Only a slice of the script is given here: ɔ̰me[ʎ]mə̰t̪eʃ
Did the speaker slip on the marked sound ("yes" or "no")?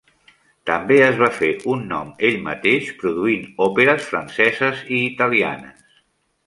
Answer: no